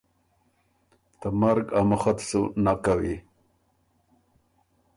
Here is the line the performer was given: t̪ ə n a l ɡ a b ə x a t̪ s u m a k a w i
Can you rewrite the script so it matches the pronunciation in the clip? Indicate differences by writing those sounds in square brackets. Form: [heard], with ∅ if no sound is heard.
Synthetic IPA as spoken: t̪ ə [m] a [ɾ] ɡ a [m] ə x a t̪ s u [n] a k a w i